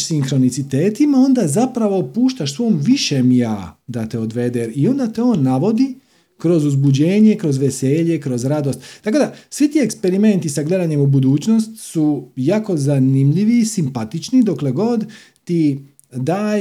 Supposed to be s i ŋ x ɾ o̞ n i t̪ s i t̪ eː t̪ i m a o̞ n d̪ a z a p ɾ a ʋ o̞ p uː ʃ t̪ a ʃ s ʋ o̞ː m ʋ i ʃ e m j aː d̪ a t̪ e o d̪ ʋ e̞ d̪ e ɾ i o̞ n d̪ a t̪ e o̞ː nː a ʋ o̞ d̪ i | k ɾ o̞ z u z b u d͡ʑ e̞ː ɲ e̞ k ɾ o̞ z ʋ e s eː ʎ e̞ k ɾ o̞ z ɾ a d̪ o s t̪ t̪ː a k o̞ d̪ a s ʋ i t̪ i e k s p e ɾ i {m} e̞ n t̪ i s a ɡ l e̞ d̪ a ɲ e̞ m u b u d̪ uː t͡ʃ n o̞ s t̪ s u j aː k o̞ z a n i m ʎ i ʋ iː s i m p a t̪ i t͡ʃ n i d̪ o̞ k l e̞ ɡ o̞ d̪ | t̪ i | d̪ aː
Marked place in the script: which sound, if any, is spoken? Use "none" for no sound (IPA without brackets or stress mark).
m